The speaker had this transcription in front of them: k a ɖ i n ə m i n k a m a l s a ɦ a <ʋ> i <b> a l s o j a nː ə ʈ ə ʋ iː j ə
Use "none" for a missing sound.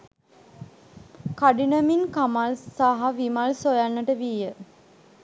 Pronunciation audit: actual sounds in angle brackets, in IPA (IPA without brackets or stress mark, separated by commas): ʋ, m